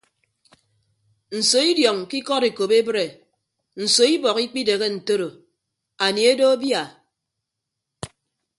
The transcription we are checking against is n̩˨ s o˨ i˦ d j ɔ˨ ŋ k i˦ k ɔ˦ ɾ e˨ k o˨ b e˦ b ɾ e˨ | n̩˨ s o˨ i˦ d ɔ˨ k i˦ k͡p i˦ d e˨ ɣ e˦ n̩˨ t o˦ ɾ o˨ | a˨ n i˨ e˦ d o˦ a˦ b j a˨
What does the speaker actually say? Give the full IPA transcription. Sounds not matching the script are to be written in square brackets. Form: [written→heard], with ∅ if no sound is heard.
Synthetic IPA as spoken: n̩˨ s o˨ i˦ d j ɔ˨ ŋ k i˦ k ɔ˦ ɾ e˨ k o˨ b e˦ b ɾ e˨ | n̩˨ s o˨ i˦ [d→b] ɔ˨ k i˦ k͡p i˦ d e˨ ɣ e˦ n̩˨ t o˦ ɾ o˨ | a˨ n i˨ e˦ d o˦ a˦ b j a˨